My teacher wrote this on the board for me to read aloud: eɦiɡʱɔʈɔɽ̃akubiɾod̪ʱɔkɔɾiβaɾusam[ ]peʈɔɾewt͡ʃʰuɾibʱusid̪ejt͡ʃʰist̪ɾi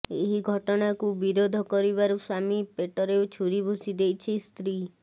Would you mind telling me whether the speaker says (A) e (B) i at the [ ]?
B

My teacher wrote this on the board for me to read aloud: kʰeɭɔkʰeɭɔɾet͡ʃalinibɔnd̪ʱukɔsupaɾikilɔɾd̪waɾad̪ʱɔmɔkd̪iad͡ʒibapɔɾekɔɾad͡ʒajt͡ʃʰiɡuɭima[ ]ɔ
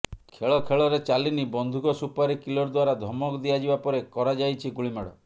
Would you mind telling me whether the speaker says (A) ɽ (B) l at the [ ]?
A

